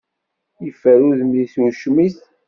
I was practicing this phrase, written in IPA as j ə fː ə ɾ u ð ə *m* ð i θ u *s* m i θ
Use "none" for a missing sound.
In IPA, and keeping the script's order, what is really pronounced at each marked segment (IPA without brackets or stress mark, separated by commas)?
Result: m, ʃ